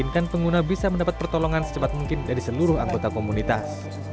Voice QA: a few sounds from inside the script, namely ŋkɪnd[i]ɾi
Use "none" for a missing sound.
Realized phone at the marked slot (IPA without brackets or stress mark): a